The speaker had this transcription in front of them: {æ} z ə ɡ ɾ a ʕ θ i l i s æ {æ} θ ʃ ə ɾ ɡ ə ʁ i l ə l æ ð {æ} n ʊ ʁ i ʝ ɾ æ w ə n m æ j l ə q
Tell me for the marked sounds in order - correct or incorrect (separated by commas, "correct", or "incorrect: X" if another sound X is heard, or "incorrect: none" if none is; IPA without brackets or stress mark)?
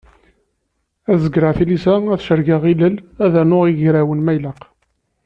correct, correct, correct